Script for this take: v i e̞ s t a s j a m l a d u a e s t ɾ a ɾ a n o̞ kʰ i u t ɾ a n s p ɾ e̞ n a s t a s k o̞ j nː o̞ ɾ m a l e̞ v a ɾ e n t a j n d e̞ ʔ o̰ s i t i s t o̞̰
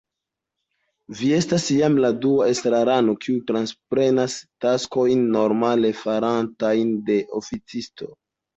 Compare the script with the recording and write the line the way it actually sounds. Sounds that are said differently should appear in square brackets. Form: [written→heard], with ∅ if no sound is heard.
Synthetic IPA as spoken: v i e̞ s t a s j a m l a d u a e s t ɾ a ɾ a n o̞ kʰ i u t ɾ a n s p ɾ e̞ n a s t a s k o̞ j nː o̞ ɾ m a l e̞ [v→f] a ɾ [e→a] n t a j n d e̞ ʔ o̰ [s→f] i [t→t͡s] i s t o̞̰